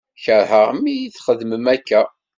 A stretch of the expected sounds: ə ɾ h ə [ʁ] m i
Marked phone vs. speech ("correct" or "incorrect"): correct